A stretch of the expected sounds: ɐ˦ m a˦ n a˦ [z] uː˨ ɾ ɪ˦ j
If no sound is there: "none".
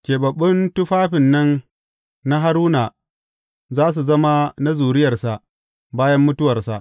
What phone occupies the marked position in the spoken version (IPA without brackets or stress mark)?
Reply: z